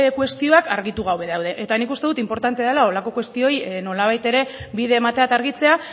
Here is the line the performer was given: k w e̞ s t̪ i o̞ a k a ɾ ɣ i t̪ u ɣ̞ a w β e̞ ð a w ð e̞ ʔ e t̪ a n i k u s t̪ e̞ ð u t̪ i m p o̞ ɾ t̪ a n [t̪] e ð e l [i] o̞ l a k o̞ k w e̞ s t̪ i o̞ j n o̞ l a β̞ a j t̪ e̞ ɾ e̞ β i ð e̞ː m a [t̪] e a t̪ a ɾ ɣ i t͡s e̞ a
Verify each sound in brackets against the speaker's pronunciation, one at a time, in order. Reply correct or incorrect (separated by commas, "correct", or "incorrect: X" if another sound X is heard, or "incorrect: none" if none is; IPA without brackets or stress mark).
correct, incorrect: a, correct